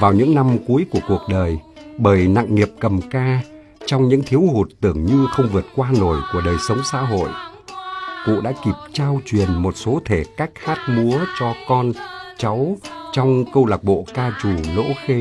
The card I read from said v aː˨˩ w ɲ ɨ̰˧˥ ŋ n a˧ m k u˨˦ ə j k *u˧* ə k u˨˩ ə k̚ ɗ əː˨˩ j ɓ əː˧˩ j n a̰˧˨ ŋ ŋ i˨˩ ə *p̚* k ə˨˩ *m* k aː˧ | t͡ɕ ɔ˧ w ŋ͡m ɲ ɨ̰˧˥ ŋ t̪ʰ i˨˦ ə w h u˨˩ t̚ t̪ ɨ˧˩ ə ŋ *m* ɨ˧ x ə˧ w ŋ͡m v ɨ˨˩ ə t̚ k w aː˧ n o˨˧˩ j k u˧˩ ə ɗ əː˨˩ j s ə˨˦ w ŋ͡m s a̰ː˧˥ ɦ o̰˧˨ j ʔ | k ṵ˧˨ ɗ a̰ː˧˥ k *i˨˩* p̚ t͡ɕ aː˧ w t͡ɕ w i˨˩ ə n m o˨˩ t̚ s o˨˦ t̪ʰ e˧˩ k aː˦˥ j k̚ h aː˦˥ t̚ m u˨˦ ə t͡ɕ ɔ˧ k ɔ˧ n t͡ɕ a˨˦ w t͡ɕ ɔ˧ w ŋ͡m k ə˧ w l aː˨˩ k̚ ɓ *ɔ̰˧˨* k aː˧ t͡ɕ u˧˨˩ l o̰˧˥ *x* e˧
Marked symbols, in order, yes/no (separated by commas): no, yes, yes, no, yes, no, yes